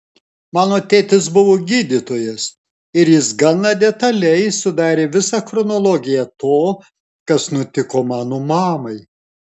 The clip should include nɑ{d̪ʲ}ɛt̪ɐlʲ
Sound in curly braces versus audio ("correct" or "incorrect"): correct